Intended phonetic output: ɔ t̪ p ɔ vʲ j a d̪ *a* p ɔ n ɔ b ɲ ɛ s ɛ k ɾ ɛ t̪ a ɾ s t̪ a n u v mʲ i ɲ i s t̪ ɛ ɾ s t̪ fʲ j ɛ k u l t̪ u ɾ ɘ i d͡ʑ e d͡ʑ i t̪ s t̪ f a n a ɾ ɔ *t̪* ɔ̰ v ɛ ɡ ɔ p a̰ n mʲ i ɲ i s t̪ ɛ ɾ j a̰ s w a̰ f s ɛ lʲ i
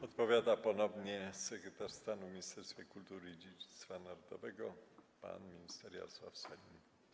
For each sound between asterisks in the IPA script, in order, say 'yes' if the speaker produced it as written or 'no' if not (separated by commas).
yes, no